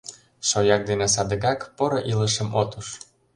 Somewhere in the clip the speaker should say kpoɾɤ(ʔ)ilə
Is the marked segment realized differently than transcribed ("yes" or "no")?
no